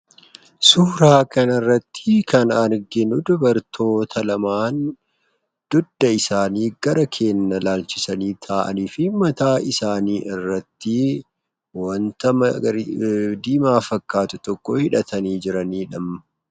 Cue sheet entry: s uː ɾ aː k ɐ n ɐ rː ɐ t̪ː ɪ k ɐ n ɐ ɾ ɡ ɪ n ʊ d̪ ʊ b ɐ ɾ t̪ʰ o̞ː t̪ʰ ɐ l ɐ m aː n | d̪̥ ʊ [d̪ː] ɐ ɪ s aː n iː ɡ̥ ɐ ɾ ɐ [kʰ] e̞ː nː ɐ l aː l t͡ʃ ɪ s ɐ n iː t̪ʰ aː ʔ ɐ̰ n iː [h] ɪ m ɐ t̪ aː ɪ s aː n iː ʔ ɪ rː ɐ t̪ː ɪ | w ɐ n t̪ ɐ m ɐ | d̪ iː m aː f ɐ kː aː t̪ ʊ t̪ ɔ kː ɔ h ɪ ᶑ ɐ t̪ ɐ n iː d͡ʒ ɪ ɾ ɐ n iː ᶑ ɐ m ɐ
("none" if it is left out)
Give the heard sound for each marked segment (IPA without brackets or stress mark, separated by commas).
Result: d̪ː, kʰ, f